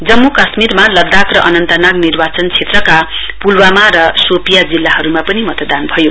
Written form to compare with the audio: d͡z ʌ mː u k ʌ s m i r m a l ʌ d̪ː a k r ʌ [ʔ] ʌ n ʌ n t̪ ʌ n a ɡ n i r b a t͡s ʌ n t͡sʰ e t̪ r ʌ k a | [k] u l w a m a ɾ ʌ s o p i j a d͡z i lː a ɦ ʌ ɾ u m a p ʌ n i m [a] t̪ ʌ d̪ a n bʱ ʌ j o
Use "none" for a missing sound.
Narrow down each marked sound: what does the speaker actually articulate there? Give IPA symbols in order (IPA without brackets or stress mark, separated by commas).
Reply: ʔ, p, ʌ